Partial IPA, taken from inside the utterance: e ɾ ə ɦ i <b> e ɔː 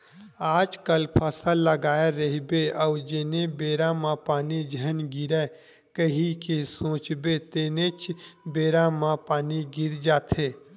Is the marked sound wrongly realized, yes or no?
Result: no